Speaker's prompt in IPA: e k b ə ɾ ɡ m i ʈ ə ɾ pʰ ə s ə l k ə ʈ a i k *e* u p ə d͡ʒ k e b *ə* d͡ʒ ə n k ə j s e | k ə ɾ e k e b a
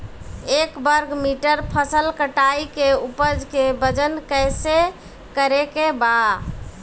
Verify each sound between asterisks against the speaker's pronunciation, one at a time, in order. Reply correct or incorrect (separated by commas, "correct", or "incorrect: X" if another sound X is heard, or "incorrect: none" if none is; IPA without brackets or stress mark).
correct, correct